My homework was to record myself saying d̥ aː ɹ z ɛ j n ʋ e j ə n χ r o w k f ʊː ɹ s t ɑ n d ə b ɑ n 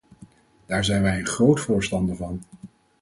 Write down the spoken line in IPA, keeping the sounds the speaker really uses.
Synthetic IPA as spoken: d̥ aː ɹ z ɛ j n ʋ ɛ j ə n χ r o w t f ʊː ɹ s t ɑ n d ə v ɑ n